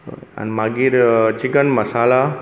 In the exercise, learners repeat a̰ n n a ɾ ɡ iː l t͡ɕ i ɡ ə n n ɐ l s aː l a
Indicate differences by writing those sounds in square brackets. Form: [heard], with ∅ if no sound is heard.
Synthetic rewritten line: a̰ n [m] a [∅] ɡ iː [ɾ] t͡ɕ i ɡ ə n [m] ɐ [∅] s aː l a